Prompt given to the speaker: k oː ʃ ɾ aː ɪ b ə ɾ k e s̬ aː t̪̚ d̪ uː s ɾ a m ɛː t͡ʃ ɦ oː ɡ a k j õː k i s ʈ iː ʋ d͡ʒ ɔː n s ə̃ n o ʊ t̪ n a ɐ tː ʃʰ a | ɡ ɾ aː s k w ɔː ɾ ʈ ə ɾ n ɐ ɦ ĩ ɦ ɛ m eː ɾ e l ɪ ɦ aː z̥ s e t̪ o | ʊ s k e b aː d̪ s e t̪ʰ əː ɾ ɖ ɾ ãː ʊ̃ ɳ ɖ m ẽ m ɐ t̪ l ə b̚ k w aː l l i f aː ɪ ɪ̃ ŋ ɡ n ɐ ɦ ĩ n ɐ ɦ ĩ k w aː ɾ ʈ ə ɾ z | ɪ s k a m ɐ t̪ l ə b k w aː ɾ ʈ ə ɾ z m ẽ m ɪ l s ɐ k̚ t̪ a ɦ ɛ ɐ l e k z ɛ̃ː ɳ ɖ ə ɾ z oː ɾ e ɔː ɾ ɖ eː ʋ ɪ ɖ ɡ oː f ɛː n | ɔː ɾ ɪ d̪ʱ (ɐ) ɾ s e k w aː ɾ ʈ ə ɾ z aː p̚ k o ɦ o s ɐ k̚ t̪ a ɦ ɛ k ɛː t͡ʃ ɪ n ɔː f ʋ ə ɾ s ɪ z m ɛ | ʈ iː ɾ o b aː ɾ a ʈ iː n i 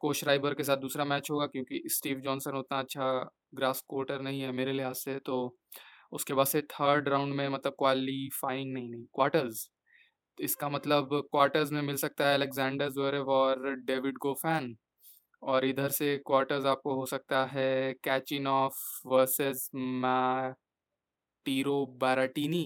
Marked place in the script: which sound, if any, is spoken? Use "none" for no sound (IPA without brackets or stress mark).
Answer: ə